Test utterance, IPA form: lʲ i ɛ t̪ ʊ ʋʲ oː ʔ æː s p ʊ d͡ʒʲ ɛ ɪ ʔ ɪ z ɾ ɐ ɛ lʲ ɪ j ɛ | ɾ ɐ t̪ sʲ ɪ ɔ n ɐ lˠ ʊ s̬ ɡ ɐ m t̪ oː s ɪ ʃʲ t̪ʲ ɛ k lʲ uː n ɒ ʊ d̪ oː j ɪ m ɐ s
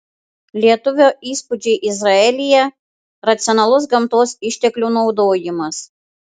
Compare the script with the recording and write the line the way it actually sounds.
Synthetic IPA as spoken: lʲ i ɛ t̪ ʊ ʋʲ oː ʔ iː s p ʊ d͡ʒʲ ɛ ɪ ʔ ɪ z ɾ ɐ ɛ lʲ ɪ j ɛ | ɾ ɐ t̪ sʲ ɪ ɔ n ɐ lˠ ʊ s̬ ɡ ɐ m t̪ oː s ɪ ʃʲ t̪ʲ ɛ k lʲ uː n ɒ ʊ d̪ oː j ɪ m ɐ s